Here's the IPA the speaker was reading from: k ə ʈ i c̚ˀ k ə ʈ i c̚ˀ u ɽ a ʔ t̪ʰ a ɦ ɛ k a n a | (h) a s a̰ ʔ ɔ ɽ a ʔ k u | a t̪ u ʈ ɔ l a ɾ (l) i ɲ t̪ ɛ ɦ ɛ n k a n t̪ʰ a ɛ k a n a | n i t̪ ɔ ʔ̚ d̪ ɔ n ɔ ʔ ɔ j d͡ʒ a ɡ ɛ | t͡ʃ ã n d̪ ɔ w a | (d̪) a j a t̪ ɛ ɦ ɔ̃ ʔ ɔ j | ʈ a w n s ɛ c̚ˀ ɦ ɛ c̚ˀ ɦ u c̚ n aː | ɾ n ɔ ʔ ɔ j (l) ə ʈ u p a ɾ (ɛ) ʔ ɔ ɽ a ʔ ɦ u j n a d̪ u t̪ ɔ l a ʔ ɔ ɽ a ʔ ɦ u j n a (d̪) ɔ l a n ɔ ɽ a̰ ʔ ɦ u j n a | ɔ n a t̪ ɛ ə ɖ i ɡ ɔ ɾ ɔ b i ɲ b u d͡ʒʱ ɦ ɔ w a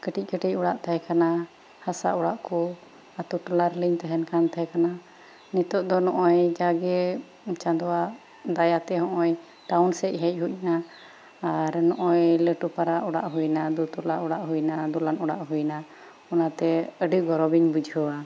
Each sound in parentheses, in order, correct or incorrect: correct, correct, correct, correct, incorrect, correct

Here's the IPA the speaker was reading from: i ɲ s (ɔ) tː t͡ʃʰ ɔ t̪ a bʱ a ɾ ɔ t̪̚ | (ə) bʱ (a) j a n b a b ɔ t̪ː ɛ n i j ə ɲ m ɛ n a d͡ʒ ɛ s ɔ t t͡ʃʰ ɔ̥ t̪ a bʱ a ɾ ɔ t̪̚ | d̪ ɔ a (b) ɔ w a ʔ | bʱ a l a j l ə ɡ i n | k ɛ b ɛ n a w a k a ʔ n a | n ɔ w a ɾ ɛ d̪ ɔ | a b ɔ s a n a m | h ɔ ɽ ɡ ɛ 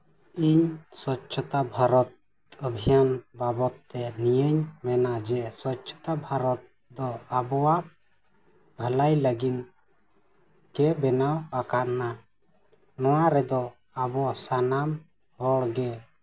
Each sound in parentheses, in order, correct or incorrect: correct, correct, incorrect, correct

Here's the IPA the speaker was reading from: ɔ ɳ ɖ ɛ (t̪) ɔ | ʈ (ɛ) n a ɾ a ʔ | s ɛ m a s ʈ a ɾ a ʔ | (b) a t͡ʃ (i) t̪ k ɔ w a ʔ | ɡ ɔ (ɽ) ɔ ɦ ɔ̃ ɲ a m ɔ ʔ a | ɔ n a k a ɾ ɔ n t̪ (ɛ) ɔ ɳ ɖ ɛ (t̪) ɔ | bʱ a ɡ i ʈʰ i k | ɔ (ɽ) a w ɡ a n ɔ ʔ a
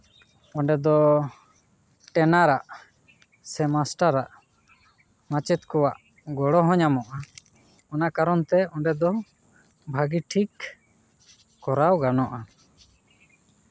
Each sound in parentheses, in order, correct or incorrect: incorrect, correct, incorrect, incorrect, correct, correct, incorrect, incorrect

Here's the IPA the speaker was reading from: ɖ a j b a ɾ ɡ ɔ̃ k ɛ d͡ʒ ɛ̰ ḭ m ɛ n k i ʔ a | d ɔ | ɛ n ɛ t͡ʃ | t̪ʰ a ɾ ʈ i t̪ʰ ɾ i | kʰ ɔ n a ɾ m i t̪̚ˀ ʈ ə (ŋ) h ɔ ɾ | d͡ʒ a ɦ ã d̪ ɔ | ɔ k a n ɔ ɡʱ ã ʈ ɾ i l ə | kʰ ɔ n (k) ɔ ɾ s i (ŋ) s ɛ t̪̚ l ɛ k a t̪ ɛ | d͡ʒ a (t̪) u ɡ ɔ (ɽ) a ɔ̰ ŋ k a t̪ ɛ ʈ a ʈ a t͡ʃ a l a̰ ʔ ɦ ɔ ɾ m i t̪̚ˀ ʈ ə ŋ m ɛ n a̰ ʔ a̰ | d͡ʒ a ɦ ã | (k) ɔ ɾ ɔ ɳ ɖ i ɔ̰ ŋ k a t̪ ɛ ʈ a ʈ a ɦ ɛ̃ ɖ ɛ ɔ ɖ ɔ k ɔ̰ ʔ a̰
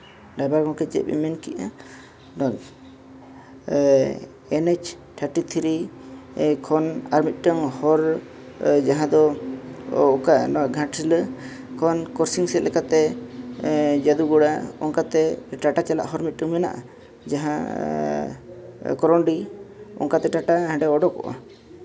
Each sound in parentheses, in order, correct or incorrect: correct, correct, correct, incorrect, correct, correct

